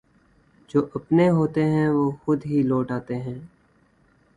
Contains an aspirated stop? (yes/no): no